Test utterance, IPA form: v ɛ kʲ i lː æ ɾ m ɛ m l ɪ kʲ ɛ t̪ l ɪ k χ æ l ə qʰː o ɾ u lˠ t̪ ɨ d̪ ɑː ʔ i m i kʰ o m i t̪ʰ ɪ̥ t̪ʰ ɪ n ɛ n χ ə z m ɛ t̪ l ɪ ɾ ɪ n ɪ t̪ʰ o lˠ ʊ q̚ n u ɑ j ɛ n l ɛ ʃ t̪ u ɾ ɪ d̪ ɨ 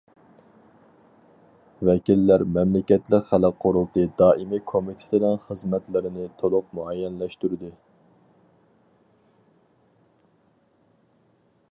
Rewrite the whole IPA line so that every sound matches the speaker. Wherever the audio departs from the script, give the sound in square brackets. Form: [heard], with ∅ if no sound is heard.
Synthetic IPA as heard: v ɛ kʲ i lː æ ɾ m ɛ m l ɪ kʲ ɛ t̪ l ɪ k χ æ l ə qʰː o ɾ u lˠ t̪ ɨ d̪ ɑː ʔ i m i kʰ o m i t̪ʰ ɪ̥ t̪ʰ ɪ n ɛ n χ ə z m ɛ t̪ l ɪ ɾ ɪ n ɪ t̪ʰ o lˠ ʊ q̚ [m] u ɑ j ɛ n l ɛ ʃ t̪ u ɾ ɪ d̪ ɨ